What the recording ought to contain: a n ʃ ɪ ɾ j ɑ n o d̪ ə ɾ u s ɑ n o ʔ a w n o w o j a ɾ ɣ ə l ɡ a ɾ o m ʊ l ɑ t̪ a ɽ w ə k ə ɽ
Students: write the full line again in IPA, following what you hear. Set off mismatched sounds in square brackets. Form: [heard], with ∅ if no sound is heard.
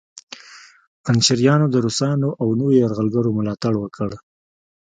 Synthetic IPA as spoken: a n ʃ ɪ ɾ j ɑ n o d̪ ə ɾ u s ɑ n o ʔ a w n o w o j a ɾ ɣ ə l ɡ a ɾ o m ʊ l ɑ t̪ a ɽ w ə k ə ɽ